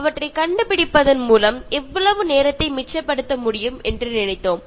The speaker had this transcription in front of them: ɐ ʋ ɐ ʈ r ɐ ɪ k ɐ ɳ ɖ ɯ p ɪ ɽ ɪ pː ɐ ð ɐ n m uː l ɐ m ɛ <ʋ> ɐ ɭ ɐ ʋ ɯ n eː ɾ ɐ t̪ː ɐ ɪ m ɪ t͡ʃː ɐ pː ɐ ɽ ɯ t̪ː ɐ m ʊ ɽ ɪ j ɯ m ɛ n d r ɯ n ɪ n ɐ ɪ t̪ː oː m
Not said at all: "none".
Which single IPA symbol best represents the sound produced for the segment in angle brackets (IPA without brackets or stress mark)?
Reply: ʋː